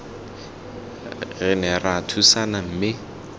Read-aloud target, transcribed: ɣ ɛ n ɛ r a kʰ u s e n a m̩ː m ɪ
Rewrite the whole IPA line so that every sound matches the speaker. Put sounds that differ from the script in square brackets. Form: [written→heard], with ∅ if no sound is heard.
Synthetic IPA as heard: ɣ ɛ n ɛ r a [kʰ→tʰ] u s [e→a] n a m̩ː m ɪ